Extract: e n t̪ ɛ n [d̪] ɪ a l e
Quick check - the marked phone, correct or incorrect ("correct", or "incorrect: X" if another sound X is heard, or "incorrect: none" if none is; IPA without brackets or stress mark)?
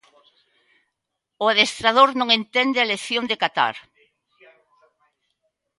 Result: correct